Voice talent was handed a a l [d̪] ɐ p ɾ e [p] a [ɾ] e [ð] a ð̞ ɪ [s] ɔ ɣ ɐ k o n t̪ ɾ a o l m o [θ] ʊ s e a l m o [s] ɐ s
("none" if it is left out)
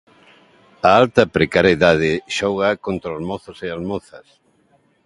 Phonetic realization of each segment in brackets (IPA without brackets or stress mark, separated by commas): t̪, k, ɾ, ð, ʃ, θ, θ